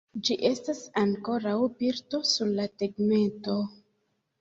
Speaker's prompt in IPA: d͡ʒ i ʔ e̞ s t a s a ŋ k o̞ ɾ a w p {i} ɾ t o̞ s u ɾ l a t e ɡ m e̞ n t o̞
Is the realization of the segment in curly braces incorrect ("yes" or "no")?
no